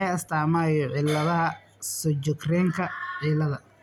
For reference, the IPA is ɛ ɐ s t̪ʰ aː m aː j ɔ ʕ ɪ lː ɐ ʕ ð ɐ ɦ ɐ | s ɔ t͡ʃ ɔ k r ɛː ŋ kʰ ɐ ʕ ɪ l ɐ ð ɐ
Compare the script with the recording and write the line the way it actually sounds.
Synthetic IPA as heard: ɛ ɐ s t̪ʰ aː m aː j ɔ ʕ ɪ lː ɐ ð ɐ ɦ ɐ | s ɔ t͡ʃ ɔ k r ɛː ŋ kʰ ɐ ʕ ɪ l ɐ ð ɐ